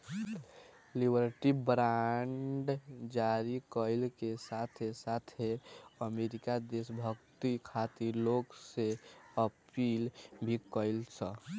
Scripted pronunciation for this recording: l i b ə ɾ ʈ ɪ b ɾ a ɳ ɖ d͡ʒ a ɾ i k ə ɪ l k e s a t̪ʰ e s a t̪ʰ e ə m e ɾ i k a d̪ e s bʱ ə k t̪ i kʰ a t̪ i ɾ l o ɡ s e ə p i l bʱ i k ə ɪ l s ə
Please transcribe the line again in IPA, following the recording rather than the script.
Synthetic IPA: l i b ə ɾ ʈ i b ɾ a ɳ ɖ d͡ʒ a ɾ i k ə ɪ l k e s a t̪ʰ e s a t̪ʰ e ə m e ɾ i k a d̪ e s bʱ ə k t̪ i kʰ a t̪ i ɾ l o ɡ s e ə p i l bʱ i k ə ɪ l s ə